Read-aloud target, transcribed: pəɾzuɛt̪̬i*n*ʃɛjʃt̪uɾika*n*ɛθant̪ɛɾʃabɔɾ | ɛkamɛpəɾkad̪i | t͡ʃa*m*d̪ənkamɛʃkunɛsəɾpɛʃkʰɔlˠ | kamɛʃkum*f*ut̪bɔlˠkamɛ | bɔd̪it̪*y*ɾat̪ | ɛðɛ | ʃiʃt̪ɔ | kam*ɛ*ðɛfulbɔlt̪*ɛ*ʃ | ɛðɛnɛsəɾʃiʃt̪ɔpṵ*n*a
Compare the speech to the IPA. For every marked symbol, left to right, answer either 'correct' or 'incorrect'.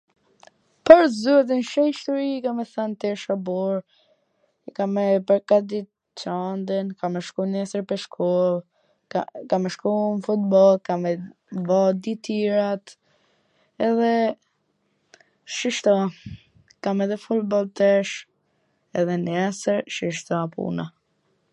correct, incorrect: m, incorrect: n, correct, incorrect: i, correct, correct, correct

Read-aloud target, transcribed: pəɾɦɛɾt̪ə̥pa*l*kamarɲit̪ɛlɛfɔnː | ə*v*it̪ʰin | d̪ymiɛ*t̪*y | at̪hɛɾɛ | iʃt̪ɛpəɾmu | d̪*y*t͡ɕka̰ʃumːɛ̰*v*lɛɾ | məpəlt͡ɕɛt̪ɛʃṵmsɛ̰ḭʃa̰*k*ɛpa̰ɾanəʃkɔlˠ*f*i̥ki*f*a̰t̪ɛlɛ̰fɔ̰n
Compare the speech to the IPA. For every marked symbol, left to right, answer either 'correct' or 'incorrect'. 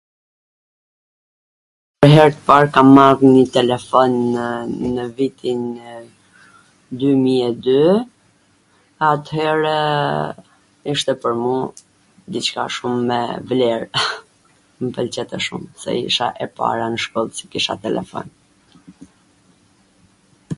incorrect: ɾ, correct, incorrect: d̪, incorrect: i, correct, incorrect: ʔ, incorrect: s, incorrect: ʃ

